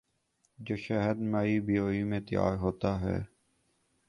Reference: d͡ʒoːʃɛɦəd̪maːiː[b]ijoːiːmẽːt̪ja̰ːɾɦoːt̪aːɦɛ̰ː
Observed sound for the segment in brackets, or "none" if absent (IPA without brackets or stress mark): b